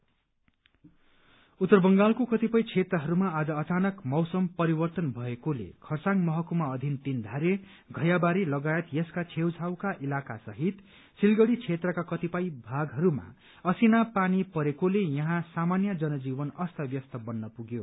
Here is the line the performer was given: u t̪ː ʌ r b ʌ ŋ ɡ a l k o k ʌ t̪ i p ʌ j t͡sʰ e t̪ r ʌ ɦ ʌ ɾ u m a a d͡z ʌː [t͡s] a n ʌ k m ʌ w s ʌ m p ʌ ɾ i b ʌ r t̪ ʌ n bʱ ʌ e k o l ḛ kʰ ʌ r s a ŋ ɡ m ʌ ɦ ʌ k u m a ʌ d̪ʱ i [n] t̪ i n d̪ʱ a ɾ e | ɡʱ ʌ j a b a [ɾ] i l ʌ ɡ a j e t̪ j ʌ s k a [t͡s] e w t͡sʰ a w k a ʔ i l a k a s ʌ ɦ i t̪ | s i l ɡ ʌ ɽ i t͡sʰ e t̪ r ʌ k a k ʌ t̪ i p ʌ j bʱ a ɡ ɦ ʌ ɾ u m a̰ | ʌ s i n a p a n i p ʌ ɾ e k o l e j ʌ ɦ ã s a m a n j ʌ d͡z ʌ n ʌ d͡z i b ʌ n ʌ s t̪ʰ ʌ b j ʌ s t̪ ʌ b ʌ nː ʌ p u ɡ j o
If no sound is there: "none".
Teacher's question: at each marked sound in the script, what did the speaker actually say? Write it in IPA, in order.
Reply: t͡s, n, ɾ, t͡sʰ

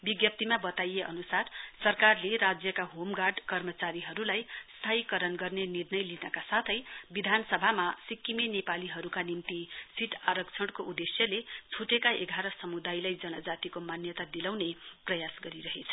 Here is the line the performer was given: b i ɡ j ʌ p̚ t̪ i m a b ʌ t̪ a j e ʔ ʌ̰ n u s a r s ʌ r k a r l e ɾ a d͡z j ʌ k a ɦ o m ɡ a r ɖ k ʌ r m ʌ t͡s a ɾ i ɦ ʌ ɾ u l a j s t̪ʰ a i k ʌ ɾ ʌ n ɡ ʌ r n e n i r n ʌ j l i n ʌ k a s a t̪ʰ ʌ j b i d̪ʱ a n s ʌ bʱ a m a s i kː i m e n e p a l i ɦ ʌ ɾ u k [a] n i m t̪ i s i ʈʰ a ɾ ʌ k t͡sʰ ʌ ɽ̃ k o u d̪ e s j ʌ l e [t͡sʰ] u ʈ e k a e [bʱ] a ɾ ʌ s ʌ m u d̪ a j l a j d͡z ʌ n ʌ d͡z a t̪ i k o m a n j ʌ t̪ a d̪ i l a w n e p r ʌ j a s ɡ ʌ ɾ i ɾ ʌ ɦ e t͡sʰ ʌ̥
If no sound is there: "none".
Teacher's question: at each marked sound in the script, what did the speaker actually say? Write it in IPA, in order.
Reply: a, t͡sʰ, ɡʱ

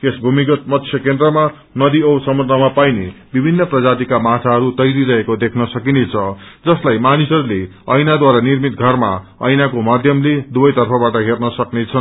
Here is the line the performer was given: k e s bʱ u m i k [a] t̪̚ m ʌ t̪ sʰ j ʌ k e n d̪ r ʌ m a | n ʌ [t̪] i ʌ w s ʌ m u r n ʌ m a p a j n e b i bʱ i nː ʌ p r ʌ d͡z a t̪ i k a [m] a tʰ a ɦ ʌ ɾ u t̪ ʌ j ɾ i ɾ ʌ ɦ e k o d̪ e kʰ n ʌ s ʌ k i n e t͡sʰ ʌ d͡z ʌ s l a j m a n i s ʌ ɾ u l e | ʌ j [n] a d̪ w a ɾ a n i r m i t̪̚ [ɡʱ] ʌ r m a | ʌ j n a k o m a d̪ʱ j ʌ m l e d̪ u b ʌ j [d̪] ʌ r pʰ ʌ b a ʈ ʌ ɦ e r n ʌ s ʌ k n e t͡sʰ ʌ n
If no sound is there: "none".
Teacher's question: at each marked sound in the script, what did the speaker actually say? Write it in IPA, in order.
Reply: ʌ, d̪, m, n, ɡʱ, t̪

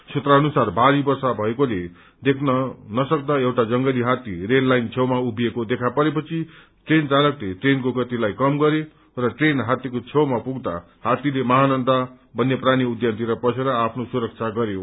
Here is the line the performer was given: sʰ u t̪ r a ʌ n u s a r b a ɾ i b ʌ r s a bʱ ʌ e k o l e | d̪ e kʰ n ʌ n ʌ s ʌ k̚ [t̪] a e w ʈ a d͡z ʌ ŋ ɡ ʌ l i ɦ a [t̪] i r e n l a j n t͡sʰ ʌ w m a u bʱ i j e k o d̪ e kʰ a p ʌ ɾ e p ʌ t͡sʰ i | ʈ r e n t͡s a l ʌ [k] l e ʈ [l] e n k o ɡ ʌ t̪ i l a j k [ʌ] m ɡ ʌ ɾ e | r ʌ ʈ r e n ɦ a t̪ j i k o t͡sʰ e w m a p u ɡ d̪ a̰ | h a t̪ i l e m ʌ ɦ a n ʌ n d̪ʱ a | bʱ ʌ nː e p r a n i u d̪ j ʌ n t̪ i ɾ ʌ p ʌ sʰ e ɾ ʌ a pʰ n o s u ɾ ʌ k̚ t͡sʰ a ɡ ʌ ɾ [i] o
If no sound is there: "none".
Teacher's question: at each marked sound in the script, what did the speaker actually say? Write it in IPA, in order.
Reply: d̪, t̪, k, r, ʌ, j

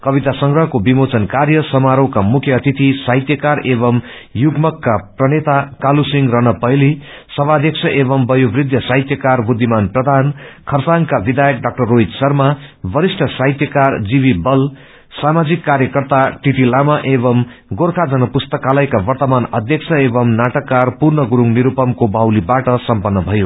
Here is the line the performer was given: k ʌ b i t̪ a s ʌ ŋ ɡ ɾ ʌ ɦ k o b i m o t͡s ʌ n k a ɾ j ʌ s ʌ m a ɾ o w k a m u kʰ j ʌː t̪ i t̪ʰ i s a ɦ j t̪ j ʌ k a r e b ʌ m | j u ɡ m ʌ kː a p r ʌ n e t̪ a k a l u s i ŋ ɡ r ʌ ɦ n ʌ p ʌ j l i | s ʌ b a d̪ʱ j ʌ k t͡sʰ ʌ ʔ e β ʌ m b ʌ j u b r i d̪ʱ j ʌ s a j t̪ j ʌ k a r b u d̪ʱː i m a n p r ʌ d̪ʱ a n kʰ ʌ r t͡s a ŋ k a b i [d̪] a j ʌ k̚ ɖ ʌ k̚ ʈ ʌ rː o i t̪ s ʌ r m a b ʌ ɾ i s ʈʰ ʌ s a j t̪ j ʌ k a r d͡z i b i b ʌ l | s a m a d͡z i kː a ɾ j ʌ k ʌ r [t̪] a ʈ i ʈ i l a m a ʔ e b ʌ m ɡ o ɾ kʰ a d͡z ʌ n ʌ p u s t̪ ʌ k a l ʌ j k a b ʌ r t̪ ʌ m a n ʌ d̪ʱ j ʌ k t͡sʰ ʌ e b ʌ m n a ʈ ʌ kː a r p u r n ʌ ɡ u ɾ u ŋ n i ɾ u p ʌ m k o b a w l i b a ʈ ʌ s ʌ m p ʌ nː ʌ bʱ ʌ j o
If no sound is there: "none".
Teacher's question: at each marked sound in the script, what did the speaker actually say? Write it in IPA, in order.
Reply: d̪, t̪

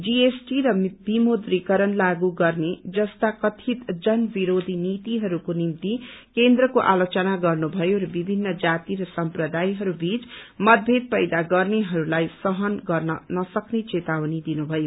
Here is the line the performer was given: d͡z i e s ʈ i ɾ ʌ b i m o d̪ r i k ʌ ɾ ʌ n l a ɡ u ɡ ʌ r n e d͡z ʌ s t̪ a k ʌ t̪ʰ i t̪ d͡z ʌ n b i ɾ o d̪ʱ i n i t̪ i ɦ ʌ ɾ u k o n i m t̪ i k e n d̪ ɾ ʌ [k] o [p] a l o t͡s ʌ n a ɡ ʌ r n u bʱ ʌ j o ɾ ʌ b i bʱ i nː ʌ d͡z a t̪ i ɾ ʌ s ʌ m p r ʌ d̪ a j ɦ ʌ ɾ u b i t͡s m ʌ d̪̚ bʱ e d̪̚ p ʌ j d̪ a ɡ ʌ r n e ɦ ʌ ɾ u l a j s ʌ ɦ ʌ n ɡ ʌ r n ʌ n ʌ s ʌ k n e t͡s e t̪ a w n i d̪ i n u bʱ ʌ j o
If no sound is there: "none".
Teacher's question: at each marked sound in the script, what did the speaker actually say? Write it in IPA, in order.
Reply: k, ʔ

